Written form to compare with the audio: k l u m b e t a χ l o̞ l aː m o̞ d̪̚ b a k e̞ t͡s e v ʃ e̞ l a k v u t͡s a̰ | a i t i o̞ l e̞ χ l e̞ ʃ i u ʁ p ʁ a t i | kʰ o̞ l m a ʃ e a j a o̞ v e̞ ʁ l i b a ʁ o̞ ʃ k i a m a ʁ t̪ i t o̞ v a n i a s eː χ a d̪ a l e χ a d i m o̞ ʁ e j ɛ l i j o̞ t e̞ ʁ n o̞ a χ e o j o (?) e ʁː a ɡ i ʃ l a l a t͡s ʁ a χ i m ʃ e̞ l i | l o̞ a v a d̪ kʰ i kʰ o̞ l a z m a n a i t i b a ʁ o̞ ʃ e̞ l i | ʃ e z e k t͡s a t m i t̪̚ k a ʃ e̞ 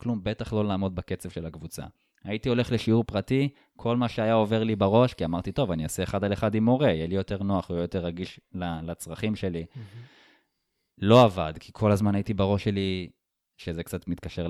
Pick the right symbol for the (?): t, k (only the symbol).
t